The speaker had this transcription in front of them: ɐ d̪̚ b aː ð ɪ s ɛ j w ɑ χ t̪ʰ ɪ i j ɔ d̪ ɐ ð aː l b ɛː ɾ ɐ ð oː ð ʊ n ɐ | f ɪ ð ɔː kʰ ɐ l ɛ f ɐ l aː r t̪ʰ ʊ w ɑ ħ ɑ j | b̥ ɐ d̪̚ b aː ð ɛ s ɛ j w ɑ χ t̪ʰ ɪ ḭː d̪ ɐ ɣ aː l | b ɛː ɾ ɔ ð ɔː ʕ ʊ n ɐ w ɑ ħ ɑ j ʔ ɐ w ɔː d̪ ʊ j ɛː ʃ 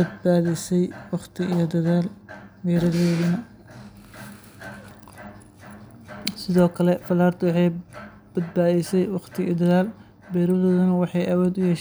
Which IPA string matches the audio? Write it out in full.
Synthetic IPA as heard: ɐ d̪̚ b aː ð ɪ s ɛ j w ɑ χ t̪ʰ ɪ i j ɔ d̪ ɐ ð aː l b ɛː ɾ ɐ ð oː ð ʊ n ɐ | s ɪ ð ɔː kʰ ɐ l ɛ f ɐ l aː r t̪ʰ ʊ w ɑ ħ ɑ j | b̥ ɐ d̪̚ b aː ð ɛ s ɛ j w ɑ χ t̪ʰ ɪ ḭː d̪ ɐ ð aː l | b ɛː ɾ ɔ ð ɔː ð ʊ n ɐ w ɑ ħ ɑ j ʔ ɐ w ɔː d̪ ʊ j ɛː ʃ

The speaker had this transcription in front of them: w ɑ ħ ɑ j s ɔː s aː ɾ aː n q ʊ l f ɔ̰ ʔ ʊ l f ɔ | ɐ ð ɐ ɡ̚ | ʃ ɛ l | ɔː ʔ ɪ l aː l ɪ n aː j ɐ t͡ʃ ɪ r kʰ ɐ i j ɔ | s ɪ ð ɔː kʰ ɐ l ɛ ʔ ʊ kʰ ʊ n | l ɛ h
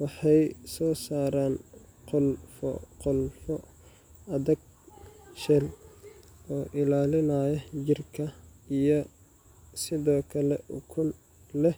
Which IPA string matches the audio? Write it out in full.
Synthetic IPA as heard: w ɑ ħ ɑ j s ɔː s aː ɾ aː n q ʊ l f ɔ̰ q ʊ l f ɔ | ɐ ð ɐ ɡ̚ | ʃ ɛ l | ɔː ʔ ɪ l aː l ɪ n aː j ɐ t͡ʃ ɪ r kʰ ɐ i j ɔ | s ɪ ð ɔː kʰ ɐ l ɛ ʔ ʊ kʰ ʊ n | l ɛ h

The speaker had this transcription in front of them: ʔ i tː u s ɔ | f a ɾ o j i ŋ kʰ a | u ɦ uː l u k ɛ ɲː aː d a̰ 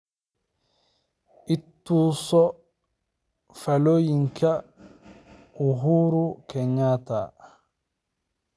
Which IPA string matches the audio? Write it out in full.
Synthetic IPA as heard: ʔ i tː u s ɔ | f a l o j i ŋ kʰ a | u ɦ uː ɾ u k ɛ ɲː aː t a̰

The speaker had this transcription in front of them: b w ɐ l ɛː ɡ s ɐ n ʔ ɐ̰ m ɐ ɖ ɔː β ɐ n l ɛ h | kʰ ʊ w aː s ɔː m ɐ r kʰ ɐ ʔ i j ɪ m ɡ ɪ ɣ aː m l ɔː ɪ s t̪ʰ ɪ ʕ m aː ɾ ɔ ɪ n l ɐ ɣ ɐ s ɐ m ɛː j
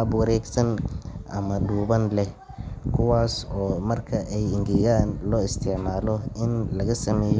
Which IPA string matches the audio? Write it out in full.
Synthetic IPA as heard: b w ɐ ɾ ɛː ɡ s ɐ n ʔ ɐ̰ m ɐ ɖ uː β ɐ n l ɛ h | kʰ ʊ w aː s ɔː m ɐ r kʰ ɐ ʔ ɛ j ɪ ŋ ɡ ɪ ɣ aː n l ɔː ɪ s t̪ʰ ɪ ʕ m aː l ɔ ɪ n l ɐ ɣ ɐ s ɐ m ɛː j

